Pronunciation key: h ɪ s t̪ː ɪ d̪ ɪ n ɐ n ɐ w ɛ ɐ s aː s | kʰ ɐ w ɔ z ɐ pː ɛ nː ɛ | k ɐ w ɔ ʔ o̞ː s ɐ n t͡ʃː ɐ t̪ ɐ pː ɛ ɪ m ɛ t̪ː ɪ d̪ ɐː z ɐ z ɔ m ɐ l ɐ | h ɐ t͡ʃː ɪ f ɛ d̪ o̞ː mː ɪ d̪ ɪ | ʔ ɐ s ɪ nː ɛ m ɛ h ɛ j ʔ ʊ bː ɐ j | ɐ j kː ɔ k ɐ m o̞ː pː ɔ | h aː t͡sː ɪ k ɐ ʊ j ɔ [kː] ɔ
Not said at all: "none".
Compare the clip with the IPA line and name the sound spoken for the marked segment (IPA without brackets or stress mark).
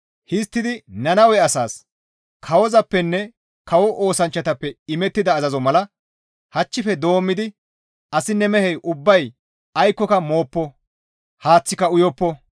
pː